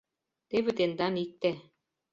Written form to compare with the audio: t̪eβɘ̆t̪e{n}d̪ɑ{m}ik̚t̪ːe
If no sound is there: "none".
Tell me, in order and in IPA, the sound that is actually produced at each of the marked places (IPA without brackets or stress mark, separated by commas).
n, n